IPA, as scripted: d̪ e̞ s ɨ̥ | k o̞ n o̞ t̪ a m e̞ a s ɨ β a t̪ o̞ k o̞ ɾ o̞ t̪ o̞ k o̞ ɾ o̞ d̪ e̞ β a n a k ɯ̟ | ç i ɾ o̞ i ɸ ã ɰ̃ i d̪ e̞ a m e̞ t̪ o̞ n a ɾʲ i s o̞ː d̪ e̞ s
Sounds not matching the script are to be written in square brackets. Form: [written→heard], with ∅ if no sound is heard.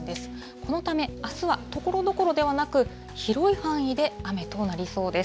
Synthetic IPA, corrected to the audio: d̪ e̞ s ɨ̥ | k o̞ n o̞ t̪ a m e̞ a s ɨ β a t̪ o̞ k o̞ ɾ o̞ [t̪→d̪] o̞ k o̞ ɾ o̞ d̪ e̞ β a n a k ɯ̟ | ç i ɾ o̞ i ɸ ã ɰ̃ i d̪ e̞ a m e̞ t̪ o̞ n a ɾʲ i s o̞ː d̪ e̞ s